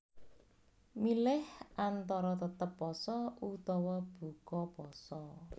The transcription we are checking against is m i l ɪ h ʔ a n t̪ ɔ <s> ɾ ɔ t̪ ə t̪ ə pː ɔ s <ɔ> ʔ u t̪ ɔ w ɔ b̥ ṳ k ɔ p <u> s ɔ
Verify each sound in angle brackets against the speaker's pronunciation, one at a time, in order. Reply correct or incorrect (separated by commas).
incorrect, correct, incorrect